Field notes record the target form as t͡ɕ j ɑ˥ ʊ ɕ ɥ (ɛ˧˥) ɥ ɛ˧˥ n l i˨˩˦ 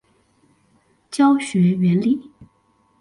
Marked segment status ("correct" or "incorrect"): correct